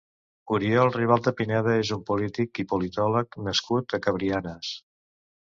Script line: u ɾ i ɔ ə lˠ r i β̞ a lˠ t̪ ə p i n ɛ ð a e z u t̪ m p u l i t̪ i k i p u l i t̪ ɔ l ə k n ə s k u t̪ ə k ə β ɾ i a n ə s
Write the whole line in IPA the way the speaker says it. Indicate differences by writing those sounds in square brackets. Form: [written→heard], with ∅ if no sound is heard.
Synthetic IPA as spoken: u ɾ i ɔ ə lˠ r i β̞ a lˠ [t̪→d̪] ə p i n ɛ ð [a→ə] e z u [t̪→∅] m p u l i t̪ i k i p u l i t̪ ɔ l ə k n ə s k u t̪ ə k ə β ɾ i a n ə s